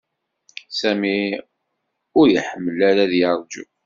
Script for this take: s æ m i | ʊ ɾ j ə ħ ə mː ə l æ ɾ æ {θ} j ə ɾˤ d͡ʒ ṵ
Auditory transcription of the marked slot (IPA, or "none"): ð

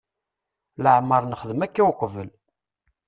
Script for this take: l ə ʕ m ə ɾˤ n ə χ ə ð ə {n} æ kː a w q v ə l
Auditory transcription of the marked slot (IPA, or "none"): m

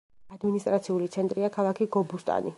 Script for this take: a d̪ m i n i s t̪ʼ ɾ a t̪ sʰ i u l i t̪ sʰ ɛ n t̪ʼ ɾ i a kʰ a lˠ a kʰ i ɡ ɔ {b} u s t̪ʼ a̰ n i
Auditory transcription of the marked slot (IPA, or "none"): b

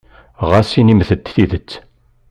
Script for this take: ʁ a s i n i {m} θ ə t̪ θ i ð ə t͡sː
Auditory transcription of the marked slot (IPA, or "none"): m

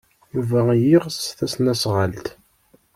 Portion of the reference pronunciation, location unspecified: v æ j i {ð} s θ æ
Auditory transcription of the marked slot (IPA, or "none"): ʁ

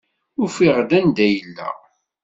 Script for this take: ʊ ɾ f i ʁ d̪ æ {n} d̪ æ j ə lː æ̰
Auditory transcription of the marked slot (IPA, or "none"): n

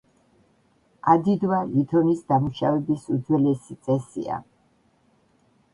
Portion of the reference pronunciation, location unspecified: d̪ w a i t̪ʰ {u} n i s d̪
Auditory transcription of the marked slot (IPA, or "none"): ɔ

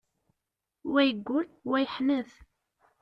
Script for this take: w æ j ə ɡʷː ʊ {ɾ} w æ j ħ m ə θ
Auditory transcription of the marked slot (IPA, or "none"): l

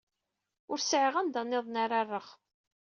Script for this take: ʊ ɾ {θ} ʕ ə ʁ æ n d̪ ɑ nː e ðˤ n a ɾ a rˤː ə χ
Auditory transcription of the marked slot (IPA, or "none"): s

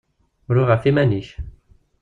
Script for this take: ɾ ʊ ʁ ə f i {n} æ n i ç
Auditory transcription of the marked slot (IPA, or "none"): m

